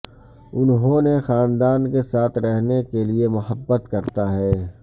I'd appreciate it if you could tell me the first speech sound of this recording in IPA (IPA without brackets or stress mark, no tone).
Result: ʊ